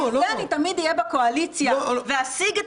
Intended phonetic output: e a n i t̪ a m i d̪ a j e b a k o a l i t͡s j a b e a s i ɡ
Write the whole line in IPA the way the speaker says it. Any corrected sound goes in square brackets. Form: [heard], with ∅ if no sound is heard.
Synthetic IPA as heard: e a n i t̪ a m i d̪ [i] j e b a k o a l i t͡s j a [v] e a s i ɡ